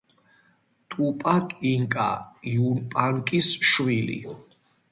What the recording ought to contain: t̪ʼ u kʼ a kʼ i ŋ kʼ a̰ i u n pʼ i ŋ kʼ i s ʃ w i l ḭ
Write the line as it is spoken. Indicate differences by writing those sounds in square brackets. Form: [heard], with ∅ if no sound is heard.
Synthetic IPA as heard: t̪ʼ u [pʼ] a kʼ i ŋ kʼ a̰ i u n pʼ [a] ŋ kʼ i s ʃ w i l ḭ

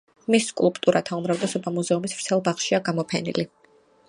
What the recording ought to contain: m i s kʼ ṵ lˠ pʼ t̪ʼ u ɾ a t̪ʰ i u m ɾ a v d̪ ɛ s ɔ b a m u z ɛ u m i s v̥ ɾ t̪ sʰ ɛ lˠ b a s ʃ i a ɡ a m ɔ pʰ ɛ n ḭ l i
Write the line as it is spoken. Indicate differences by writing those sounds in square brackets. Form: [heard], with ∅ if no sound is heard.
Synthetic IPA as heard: m i s kʼ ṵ lˠ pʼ t̪ʼ u ɾ a t̪ʰ [a] u m ɾ a v d̪ ɛ s ɔ b a m u z ɛ u m i s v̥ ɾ t̪ sʰ ɛ lˠ b a [χ] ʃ i a ɡ a m ɔ pʰ ɛ n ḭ l i

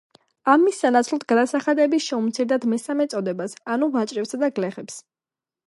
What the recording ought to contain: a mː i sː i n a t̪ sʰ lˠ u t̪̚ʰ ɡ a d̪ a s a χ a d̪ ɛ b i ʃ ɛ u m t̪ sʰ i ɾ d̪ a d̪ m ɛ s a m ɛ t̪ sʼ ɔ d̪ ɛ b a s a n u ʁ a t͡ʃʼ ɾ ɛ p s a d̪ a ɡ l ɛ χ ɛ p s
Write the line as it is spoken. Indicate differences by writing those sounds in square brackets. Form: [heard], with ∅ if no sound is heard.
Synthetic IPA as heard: a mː i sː [a] n a t̪ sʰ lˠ [ɔ] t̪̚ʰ ɡ a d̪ a s a χ a d̪ ɛ b i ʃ ɛ u m t̪ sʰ i ɾ d̪ a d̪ m ɛ s a m ɛ t̪ sʼ ɔ d̪ ɛ b a s a n u [v] a t͡ʃʼ ɾ ɛ p s a d̪ a ɡ l ɛ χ ɛ p s

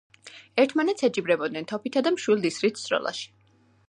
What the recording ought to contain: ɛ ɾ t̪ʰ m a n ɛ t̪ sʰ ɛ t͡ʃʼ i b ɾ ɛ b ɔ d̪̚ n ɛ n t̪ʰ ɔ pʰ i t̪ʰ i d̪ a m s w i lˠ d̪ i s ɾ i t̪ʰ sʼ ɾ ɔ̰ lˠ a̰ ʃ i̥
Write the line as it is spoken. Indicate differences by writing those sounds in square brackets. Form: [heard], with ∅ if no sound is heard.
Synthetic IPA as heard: ɛ ɾ t̪ʰ m a n ɛ t̪ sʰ ɛ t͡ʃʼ i b ɾ ɛ b ɔ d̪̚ n ɛ n t̪ʰ ɔ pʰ i t̪ʰ [a] d̪ a m [ʃ] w i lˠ d̪ i s ɾ i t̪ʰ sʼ ɾ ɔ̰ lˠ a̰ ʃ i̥

